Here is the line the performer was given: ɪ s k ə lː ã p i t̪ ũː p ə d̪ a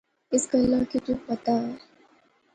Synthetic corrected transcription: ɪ s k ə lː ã k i t̪ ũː p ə t̪ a